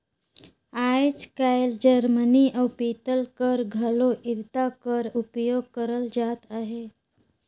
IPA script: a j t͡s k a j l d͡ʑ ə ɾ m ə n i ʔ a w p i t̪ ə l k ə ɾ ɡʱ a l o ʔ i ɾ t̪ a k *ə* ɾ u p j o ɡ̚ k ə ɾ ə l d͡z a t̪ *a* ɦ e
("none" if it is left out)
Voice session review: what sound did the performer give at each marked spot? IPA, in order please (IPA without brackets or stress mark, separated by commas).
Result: ə, a